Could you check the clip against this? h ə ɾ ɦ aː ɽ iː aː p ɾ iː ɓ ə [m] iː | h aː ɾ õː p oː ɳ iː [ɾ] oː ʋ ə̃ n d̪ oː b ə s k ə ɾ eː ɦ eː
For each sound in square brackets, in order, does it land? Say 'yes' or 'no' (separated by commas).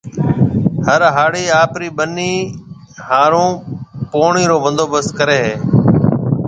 no, yes